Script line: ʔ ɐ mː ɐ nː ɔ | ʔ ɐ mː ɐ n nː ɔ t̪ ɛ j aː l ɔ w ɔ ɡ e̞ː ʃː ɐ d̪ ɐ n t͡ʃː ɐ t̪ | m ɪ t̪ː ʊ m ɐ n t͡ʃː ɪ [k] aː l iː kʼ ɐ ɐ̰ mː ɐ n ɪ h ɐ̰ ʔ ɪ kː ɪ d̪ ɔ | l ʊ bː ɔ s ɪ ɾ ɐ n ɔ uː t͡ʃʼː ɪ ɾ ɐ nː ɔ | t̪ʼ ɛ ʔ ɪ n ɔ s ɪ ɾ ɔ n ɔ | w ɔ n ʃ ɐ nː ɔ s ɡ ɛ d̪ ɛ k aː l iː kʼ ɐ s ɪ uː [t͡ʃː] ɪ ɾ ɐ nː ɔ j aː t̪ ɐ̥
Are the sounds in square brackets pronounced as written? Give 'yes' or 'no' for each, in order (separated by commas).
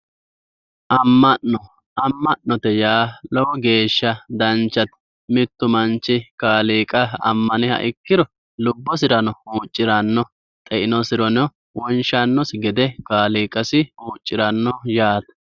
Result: yes, no